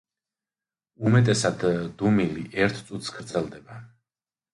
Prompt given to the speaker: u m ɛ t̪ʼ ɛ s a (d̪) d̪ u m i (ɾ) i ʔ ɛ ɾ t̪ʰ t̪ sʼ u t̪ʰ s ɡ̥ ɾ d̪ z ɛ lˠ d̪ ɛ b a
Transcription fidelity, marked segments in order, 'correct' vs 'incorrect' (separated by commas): correct, incorrect